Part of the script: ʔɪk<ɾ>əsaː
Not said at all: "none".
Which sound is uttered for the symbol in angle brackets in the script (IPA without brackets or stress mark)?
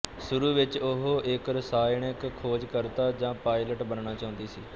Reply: ɾ